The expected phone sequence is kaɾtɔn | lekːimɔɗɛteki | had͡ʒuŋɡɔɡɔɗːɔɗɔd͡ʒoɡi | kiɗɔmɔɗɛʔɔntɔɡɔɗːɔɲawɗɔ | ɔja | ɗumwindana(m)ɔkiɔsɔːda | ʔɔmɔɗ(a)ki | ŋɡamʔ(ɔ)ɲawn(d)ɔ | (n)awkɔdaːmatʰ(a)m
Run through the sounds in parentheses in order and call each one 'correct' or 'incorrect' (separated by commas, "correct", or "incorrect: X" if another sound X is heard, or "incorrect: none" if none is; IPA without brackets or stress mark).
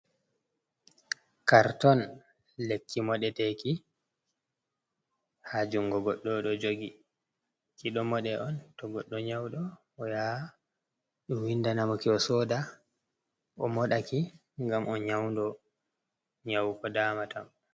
correct, correct, correct, correct, incorrect: ɲ, correct